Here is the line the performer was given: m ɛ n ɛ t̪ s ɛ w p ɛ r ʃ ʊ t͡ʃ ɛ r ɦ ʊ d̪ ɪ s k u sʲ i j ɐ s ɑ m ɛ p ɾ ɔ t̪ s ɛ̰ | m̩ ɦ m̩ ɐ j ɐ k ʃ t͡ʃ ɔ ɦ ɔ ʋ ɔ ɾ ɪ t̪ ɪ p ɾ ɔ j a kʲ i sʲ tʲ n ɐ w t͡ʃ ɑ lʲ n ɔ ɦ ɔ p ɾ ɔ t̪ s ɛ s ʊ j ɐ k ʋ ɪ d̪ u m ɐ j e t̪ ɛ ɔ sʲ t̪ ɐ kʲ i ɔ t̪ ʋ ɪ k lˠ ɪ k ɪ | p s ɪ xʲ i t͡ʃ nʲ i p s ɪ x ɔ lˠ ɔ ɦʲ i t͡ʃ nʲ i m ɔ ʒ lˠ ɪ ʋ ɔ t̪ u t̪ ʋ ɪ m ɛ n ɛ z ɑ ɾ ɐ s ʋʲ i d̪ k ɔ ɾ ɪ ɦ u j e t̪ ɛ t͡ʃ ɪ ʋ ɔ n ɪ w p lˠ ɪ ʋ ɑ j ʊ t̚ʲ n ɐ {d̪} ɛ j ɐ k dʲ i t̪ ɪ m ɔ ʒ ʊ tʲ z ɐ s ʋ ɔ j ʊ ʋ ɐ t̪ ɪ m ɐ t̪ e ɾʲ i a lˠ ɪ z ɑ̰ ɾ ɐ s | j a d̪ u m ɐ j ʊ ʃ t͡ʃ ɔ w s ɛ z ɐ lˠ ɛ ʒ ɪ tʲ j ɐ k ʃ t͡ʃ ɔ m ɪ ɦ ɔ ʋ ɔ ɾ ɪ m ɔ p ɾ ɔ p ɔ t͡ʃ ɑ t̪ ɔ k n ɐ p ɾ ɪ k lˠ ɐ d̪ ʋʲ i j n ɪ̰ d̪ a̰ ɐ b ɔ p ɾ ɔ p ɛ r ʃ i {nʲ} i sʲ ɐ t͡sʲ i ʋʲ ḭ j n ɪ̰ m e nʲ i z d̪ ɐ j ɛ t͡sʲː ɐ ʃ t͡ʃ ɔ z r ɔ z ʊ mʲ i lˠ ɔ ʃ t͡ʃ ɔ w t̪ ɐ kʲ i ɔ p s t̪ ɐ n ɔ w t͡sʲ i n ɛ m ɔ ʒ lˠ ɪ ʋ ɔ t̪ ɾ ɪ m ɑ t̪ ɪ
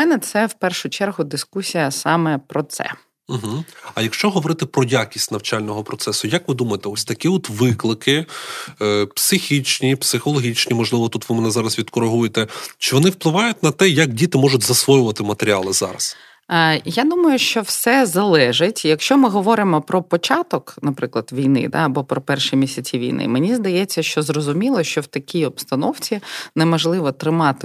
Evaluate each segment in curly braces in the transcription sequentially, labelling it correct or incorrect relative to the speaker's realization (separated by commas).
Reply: incorrect, incorrect